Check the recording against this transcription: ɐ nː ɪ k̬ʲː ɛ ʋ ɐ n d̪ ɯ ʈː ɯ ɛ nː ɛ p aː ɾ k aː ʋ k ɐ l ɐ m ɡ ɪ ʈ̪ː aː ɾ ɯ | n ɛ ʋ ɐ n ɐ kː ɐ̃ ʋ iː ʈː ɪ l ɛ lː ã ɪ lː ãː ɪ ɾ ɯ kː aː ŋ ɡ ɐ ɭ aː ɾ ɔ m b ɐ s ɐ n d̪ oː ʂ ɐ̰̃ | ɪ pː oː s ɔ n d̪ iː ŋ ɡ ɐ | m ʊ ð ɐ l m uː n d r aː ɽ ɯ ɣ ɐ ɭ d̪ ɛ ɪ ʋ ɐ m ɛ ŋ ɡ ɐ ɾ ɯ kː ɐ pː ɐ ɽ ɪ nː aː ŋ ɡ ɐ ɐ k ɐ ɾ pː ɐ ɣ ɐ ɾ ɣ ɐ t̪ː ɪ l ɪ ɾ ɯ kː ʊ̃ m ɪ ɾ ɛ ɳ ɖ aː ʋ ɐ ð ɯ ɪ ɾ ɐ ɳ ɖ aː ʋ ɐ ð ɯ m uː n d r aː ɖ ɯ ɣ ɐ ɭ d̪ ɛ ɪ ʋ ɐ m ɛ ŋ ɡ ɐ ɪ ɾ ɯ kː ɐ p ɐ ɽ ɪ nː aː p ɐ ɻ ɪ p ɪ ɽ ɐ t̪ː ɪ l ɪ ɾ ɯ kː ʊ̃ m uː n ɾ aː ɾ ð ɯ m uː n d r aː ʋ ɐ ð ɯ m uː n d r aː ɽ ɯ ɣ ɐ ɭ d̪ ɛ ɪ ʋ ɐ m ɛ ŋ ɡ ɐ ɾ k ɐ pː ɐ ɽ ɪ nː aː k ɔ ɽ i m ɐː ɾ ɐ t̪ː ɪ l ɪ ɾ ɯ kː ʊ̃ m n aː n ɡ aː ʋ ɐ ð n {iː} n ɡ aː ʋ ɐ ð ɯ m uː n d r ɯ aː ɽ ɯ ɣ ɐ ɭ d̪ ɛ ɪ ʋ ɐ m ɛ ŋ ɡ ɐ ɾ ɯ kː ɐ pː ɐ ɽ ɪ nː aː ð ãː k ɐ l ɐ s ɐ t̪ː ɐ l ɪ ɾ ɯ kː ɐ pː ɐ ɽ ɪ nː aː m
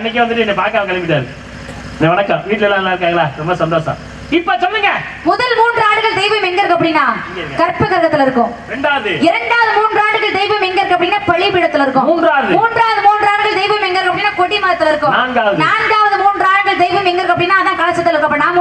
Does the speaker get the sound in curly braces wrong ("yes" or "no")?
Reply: yes